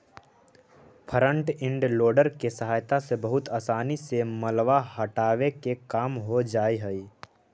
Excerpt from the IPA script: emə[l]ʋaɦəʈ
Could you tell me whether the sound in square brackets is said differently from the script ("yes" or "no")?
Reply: no